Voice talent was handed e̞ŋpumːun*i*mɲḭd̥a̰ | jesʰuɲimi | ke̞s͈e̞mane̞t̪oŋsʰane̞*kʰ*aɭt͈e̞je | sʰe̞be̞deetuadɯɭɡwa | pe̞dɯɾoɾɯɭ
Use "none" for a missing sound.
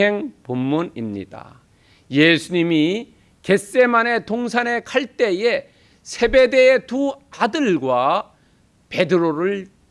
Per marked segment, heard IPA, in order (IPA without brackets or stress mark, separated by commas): i, kʰ